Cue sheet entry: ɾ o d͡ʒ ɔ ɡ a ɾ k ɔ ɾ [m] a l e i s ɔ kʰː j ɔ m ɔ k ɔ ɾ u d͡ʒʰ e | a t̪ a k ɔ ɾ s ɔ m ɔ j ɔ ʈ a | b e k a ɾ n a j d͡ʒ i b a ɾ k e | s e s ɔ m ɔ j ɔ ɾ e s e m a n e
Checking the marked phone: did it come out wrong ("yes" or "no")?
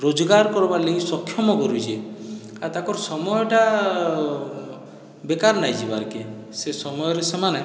yes